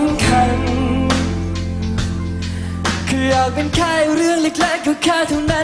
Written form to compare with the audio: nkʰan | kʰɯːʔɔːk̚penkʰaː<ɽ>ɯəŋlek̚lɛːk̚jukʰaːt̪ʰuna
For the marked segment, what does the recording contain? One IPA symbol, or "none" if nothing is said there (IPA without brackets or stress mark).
ɾ